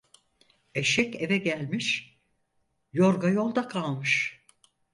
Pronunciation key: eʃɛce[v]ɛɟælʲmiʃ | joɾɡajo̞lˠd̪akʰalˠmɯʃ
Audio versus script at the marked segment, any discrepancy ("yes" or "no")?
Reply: no